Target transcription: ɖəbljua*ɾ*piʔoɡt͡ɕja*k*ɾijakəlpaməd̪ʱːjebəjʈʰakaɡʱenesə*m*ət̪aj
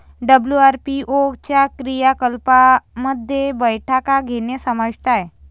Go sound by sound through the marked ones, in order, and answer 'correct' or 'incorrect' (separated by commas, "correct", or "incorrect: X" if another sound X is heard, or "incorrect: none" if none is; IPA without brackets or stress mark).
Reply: correct, correct, correct